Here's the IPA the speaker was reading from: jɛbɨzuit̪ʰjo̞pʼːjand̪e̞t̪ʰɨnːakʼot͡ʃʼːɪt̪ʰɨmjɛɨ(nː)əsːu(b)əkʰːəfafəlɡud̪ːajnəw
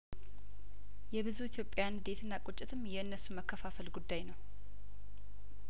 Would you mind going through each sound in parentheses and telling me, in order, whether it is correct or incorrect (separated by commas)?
correct, incorrect